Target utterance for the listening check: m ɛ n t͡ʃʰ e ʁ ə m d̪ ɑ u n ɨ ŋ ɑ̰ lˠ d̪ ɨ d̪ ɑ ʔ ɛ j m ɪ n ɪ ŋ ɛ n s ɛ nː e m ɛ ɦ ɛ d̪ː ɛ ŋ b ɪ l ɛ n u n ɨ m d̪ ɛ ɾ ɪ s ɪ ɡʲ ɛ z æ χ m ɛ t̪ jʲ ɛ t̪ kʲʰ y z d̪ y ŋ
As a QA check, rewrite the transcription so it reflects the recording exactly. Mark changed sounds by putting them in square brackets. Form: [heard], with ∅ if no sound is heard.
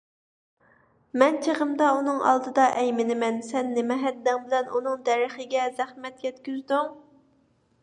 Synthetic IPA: m ɛ n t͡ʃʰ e ʁ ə m d̪ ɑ u n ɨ ŋ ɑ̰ lˠ d̪ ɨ d̪ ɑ ʔ ɛ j m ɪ n ɪ [m] ɛ n s ɛ nː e m ɛ ɦ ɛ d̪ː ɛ ŋ b ɪ l ɛ n u n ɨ [ŋ] d̪ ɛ ɾ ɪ [χ] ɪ ɡʲ ɛ z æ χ m ɛ t̪ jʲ ɛ t̪ [kʲ] y z d̪ y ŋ